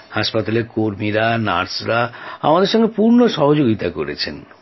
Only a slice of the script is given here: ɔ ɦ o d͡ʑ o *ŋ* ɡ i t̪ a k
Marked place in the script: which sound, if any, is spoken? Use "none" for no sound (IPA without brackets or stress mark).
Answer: none